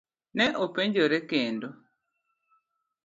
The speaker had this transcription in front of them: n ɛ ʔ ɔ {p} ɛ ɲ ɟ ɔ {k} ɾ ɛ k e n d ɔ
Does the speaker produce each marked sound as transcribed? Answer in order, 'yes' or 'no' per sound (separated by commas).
yes, no